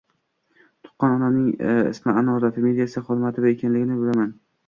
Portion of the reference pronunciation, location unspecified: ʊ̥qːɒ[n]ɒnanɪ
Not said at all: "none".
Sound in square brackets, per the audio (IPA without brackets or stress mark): n